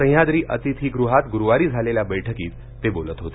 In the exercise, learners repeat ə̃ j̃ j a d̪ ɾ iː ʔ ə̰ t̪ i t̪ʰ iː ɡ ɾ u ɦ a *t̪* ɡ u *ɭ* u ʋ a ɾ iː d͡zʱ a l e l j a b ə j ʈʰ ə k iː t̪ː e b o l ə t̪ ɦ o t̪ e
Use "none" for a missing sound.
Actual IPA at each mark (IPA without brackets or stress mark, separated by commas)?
t̪, ɾ